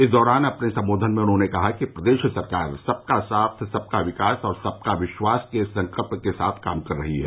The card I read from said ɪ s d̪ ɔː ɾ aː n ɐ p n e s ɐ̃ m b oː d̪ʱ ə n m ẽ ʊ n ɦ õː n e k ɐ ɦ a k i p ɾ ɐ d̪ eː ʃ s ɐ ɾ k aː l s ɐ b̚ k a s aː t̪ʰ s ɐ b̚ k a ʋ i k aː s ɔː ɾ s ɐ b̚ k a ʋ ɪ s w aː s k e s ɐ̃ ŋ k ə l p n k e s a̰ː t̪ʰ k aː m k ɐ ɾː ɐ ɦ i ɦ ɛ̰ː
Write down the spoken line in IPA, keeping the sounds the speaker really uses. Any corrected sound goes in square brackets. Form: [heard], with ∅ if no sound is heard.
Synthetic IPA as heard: ɪ s d̪ ɔː ɾ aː n ɐ p n e s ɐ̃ m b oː d̪ʱ ə n m ẽ ʊ n ɦ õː n e k ɐ ɦ a k i p ɾ ɐ d̪ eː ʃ s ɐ ɾ k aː [ɾ] s ɐ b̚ k a s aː t̪ʰ s ɐ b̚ k a ʋ [ɪ] k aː s ɔː ɾ s ɐ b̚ k a ʋ ɪ [ʃ] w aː s k e s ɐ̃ ŋ k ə l p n k e s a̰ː t̪ʰ k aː m k ɐ ɾː ɐ ɦ i ɦ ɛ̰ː